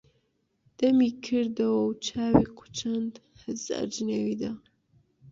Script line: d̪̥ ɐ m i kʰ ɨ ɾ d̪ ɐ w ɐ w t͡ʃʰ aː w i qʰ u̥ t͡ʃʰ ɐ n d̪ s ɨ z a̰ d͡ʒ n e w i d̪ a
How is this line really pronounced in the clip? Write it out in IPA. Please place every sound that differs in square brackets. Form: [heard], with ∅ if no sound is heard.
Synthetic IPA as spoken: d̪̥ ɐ m i kʰ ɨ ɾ d̪ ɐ w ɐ w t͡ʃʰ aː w i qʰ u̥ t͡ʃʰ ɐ n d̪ [h] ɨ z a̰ d͡ʒ n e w i d̪ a